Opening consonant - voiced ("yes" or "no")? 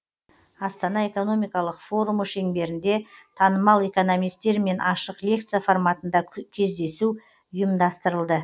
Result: no